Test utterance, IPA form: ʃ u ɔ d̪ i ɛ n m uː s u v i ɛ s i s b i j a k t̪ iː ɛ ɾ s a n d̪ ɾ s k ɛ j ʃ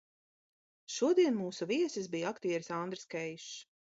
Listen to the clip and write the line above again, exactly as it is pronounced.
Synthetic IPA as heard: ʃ u ɔ d̪ i ɛ n m uː s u v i ɛ s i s b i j a k t̪ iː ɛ ɾ s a n d̪ ɾ s k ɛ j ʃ